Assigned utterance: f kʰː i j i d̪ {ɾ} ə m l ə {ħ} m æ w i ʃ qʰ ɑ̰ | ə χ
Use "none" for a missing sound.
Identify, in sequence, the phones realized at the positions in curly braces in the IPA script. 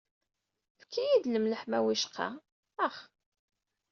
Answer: l, ħ

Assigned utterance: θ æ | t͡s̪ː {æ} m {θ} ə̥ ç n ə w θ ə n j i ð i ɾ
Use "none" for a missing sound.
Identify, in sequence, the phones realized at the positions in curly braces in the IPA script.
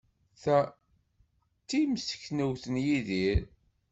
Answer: i, s

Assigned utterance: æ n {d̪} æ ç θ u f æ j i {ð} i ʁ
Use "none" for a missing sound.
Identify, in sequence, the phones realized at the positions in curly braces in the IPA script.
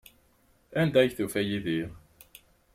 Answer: d̪, ð

